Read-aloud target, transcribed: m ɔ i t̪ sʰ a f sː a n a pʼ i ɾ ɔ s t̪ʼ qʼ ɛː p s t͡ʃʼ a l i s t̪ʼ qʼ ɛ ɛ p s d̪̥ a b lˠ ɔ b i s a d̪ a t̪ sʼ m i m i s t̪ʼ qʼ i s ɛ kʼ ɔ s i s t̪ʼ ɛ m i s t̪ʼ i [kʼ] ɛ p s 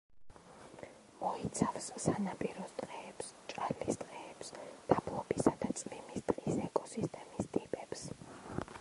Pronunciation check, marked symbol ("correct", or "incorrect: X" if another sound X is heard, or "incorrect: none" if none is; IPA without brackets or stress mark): incorrect: pʼ